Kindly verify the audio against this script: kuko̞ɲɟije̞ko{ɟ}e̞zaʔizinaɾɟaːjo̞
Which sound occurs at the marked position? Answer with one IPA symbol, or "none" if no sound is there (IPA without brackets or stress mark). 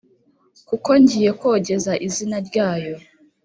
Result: ɟ